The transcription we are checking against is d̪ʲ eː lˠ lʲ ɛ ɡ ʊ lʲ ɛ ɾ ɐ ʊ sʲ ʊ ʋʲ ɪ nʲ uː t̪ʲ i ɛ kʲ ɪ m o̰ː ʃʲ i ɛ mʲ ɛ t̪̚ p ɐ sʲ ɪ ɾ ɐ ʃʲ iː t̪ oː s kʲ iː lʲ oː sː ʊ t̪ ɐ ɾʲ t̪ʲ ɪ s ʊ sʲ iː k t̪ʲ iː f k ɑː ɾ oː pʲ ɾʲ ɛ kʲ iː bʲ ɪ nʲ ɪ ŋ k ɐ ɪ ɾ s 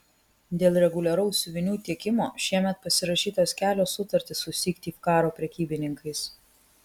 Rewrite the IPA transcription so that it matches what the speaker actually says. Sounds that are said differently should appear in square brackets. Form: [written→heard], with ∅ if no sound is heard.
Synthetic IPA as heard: d̪ʲ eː lˠ [lʲ→ɾʲ] ɛ ɡ ʊ lʲ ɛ ɾ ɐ ʊ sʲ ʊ ʋʲ ɪ nʲ uː t̪ʲ i ɛ kʲ ɪ m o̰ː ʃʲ i ɛ mʲ ɛ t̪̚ p ɐ sʲ ɪ ɾ ɐ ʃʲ iː t̪ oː s kʲ [iː→æː] lʲ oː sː ʊ t̪ ɐ ɾʲ t̪ʲ ɪ s ʊ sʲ iː k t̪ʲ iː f k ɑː ɾ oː pʲ ɾʲ ɛ kʲ iː bʲ ɪ nʲ ɪ ŋ k ɐ ɪ [ɾ→∅] s

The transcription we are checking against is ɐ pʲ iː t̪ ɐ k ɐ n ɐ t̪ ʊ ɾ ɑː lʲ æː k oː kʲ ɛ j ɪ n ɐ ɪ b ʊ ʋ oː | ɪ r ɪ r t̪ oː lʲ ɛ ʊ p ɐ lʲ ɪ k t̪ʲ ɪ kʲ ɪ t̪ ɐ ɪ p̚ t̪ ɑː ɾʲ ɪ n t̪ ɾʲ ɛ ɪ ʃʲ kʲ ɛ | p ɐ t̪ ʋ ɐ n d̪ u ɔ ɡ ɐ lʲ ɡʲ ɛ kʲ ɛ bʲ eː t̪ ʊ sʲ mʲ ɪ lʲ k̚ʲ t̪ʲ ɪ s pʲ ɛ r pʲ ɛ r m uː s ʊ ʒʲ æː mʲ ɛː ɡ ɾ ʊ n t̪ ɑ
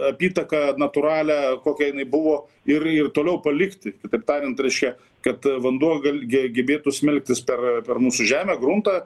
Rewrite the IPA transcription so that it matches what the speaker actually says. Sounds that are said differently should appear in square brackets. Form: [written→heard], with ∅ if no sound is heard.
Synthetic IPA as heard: ɐ pʲ iː t̪ ɐ k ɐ n ɐ t̪ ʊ ɾ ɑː lʲ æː k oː kʲ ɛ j ɪ n ɐ ɪ b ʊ ʋ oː | ɪ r ɪ r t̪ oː lʲ ɛ ʊ p ɐ lʲ ɪ k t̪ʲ ɪ kʲ ɪ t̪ ɐ ɪ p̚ t̪ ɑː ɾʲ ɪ n t̪ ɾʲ ɛ ɪ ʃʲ kʲ ɛ | [p→k] ɐ t̪ ʋ ɐ n d̪ u ɔ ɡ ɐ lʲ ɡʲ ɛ [kʲ→ɡʲ] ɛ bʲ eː t̪ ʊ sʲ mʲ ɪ lʲ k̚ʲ t̪ʲ ɪ s pʲ ɛ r pʲ ɛ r m uː s ʊ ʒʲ æː mʲ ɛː ɡ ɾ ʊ n t̪ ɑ

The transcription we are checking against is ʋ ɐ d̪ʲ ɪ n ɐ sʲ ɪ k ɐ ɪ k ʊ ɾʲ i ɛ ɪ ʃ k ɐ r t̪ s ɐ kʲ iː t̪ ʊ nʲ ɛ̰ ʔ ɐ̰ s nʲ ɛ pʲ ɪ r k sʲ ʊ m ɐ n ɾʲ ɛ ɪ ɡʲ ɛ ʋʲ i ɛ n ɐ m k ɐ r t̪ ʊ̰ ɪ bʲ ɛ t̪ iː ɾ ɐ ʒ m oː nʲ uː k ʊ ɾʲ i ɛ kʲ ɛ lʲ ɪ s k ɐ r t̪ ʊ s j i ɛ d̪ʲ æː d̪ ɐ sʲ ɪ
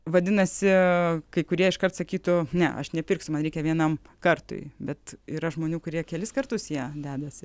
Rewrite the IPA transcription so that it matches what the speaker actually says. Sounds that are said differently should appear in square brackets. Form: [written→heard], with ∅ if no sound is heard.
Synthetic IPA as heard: ʋ ɐ d̪ʲ ɪ n ɐ sʲ ɪ k ɐ ɪ k ʊ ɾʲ i ɛ ɪ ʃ k ɐ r t̪ s ɐ kʲ iː t̪ ʊ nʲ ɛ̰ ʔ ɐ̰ [s→ʃ] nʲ ɛ pʲ ɪ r k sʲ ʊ m ɐ n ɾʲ ɛ ɪ [ɡʲ→kʲ] ɛ ʋʲ i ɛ n ɐ m k ɐ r t̪ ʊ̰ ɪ bʲ ɛ t̪ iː ɾ ɐ ʒ m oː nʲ uː k ʊ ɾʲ i ɛ kʲ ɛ lʲ ɪ s k ɐ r t̪ ʊ s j i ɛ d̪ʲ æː d̪ ɐ sʲ ɪ

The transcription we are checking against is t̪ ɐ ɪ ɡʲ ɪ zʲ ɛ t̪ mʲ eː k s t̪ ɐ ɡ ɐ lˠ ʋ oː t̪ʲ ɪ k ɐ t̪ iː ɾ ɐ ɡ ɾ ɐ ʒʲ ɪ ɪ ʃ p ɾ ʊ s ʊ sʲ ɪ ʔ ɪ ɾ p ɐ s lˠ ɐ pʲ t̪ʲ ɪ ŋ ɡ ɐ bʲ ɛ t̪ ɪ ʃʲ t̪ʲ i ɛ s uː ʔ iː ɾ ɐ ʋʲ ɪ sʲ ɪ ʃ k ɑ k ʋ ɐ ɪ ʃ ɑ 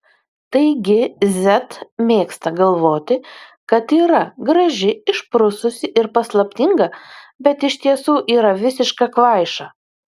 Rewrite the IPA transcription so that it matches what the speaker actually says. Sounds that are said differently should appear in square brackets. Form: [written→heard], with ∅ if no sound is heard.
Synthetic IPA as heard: t̪ ɐ ɪ ɡʲ ɪ zʲ ɛ t̪ mʲ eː k s t̪ ɐ ɡ ɐ lˠ ʋ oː t̪ʲ ɪ k ɐ t̪ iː ɾ ɐ ɡ ɾ ɐ ʒʲ ɪ ɪ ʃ p ɾ ʊ s ʊ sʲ ɪ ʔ ɪ ɾ p ɐ s lˠ ɐ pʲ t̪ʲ ɪ ŋ ɡ ɐ bʲ ɛ t̪ ɪ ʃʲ t̪ʲ i ɛ s uː ʔ iː ɾ ɐ ʋʲ ɪ sʲ ɪ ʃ k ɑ k ʋ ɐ ɪ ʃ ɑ

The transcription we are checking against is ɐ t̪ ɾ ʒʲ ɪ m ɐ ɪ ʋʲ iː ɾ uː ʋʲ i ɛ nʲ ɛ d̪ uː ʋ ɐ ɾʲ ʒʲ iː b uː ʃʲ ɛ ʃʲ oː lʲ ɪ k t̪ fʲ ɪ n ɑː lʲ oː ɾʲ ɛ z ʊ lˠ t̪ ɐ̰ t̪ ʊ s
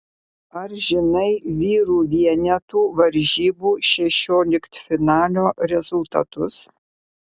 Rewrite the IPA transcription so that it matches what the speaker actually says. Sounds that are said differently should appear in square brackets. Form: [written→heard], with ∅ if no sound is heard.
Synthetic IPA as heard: ɐ [t̪→∅] ɾ ʒʲ ɪ [m→n] ɐ ɪ ʋʲ iː ɾ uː ʋʲ i ɛ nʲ ɛ [d̪→t̪] uː ʋ ɐ ɾʲ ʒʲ iː b uː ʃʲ ɛ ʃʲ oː lʲ ɪ k t̪ fʲ ɪ n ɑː lʲ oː ɾʲ ɛ z ʊ lˠ t̪ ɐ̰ t̪ ʊ s

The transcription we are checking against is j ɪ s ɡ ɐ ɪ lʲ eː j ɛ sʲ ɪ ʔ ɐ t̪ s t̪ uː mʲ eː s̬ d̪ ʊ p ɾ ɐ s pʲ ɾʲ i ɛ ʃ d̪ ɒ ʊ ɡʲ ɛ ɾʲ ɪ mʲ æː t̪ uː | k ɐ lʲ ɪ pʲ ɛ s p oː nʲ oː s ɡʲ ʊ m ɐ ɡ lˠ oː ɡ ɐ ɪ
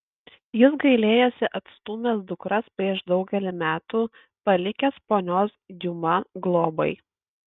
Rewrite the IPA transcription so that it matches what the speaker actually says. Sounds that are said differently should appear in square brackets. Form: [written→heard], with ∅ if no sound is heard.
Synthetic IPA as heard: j ɪ s ɡ ɐ ɪ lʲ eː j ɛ sʲ ɪ ʔ ɐ t̪ s t̪ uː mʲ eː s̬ d̪ ʊ [p→k] ɾ ɐ s pʲ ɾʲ i ɛ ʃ d̪ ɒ ʊ ɡʲ ɛ [ɾʲ→lʲ] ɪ mʲ æː t̪ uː | [k→p] ɐ lʲ ɪ [pʲ→kʲ] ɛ s p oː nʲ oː s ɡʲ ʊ m ɐ ɡ lˠ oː [ɡ→b] ɐ ɪ

